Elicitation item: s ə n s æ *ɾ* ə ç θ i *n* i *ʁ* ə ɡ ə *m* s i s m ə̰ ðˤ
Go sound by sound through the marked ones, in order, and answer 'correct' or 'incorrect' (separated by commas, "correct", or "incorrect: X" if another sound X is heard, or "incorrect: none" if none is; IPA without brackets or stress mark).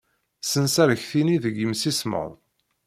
correct, correct, incorrect: ð, correct